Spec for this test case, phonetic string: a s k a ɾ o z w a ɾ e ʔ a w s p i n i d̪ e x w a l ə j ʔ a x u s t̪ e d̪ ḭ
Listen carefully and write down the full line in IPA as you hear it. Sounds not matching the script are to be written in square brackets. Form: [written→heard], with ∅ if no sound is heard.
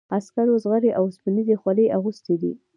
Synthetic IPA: a s k a ɾ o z [w→ɣ] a ɾ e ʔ a w s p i n i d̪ e x w a l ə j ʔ a [x→ɣ] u s t̪ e d̪ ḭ